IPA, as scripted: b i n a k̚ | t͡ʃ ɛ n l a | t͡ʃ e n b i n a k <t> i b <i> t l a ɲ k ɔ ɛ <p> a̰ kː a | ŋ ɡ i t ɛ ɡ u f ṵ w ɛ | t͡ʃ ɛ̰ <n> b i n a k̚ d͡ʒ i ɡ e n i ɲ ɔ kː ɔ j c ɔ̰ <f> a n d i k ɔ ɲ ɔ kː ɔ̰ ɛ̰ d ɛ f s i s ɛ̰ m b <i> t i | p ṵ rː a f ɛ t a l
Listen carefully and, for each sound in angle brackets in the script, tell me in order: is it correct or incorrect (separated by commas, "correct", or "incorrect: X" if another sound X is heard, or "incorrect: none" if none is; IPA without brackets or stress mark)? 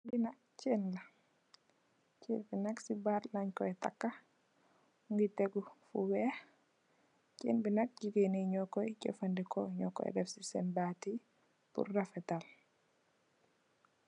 incorrect: s, incorrect: a, incorrect: t, correct, correct, incorrect: a